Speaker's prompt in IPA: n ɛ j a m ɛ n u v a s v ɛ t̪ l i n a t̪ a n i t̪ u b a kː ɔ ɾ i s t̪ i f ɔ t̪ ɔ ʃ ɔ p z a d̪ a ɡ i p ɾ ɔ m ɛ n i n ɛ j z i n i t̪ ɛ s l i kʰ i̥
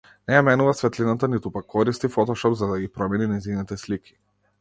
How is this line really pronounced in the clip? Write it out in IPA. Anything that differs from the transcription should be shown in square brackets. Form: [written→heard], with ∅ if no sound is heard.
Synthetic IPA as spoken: n ɛ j a m ɛ n u v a s v ɛ t̪ l i n a t̪ a n i t̪ u [b→p] a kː ɔ ɾ i s t̪ i f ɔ t̪ ɔ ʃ ɔ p z a d̪ a ɡ i p ɾ ɔ m ɛ n i n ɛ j z i n i t̪ ɛ s l i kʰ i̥